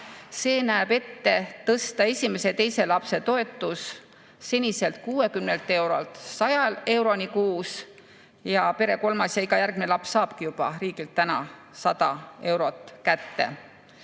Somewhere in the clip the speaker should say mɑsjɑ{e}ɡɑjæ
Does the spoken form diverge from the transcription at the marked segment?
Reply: yes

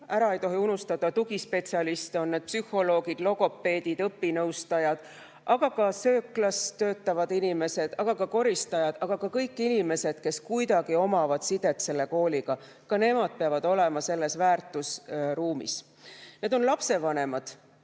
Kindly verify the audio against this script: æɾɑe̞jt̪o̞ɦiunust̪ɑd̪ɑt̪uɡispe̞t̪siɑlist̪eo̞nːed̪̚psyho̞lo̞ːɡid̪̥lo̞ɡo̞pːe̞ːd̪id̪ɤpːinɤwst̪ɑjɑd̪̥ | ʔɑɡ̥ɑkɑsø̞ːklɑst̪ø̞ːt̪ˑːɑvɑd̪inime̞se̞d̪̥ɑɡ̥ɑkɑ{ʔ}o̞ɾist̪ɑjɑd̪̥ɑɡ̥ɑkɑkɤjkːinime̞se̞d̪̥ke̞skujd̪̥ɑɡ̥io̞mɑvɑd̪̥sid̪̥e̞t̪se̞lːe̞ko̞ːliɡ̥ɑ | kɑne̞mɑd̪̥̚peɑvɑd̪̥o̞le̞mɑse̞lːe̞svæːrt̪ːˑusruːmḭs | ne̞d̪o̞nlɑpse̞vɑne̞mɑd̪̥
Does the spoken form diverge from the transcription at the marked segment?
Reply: yes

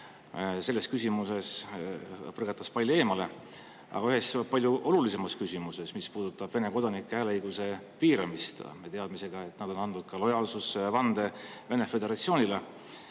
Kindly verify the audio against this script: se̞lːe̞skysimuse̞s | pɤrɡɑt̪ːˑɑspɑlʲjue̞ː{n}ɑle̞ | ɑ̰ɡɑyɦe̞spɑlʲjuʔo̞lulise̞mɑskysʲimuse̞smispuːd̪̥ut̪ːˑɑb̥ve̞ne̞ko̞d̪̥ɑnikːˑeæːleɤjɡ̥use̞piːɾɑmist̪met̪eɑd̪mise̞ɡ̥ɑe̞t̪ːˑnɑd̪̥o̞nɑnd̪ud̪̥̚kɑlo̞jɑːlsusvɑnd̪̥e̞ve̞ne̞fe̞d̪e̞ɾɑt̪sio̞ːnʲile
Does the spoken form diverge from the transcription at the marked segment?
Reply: yes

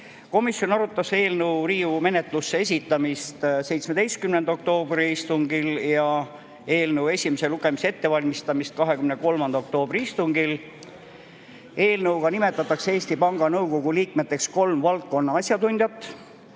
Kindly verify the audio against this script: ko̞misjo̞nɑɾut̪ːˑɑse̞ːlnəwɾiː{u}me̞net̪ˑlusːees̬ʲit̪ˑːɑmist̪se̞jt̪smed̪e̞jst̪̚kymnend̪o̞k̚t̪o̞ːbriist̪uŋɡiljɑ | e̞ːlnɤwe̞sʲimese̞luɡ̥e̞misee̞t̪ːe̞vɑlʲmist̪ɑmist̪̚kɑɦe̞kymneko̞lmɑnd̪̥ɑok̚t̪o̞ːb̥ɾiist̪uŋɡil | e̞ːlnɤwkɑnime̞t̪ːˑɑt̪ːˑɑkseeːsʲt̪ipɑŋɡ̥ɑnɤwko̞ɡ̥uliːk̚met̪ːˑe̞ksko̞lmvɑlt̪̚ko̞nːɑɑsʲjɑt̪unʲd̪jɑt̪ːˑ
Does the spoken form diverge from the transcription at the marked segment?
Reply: no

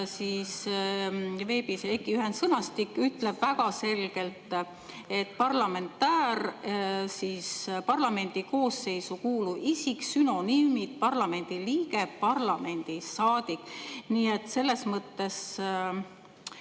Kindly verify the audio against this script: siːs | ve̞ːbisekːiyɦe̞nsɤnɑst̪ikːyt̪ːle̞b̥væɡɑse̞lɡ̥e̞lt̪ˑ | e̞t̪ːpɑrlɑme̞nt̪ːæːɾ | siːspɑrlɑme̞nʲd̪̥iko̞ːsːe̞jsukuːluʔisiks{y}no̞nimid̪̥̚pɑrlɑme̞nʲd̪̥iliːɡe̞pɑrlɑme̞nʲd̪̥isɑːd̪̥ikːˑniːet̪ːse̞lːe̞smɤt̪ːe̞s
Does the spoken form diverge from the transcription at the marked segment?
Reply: no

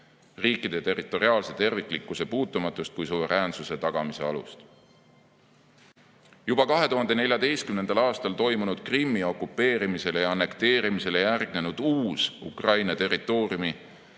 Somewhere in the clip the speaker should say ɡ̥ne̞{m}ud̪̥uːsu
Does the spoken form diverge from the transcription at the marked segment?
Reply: yes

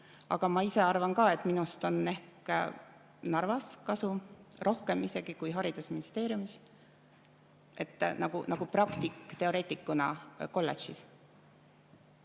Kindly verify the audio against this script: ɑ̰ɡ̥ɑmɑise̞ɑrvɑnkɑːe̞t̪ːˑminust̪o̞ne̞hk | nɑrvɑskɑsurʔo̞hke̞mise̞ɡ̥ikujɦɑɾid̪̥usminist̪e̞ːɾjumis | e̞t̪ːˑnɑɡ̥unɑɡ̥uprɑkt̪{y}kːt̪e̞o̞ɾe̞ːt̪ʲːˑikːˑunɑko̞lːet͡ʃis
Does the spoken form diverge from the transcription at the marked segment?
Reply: yes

